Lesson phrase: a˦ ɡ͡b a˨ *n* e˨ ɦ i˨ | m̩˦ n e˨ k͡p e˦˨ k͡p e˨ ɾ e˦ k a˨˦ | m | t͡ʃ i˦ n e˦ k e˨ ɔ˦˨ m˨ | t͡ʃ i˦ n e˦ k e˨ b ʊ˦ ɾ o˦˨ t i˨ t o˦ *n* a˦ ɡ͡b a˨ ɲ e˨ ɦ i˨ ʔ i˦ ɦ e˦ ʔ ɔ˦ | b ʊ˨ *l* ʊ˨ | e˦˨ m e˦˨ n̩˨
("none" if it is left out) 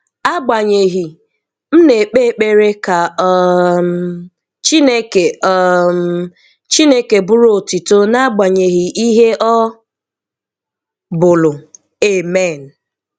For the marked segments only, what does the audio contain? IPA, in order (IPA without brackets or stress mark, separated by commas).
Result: ɲ, n, l